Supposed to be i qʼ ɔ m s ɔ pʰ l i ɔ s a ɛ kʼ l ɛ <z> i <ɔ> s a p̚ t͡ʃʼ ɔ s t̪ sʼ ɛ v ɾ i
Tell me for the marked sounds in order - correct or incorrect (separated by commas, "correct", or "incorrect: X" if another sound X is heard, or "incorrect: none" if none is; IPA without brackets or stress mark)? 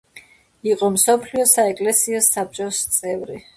incorrect: s, correct